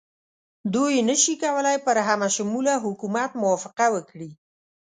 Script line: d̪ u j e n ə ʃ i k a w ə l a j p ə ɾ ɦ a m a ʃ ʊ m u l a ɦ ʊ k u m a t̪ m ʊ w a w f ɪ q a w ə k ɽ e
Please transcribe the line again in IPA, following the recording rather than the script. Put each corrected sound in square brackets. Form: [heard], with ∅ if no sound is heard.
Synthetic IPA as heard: d̪ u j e n ə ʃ i k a w ə l a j p ə ɾ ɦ a m a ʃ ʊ m u l a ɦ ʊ k u m a t̪ m ʊ w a [∅] f ɪ q a w ə k ɽ [i]